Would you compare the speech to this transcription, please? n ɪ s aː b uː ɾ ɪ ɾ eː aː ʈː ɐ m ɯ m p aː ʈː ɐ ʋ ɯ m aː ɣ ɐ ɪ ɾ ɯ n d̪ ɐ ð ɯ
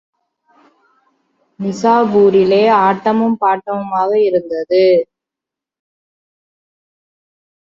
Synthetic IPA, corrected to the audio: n ɪ s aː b uː ɾ ɪ l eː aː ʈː ɐ m ɯ m p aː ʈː ɐ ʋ ɯ m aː ɣ ɐ ɪ ɾ ɯ n d̪ ɐ ð ɯ